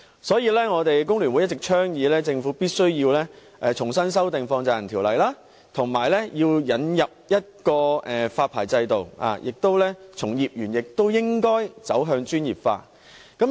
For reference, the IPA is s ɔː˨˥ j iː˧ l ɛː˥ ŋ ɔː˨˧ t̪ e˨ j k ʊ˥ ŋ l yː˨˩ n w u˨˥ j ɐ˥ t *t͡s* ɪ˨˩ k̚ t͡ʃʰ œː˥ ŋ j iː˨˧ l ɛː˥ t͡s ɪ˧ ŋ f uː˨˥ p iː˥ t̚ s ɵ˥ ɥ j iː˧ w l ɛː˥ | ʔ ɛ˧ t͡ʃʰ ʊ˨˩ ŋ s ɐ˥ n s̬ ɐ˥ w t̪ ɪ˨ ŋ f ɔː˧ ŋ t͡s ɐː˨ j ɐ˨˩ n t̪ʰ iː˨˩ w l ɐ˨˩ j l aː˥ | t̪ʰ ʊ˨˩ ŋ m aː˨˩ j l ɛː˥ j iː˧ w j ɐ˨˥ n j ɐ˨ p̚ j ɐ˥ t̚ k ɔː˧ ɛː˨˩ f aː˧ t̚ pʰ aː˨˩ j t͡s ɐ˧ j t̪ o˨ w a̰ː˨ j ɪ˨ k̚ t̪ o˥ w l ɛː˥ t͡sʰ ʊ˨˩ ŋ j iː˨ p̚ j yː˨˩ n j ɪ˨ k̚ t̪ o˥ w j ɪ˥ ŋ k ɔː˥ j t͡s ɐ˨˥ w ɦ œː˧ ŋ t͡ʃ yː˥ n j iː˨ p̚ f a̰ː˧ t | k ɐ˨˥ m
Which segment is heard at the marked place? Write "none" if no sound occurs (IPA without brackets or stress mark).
t͡s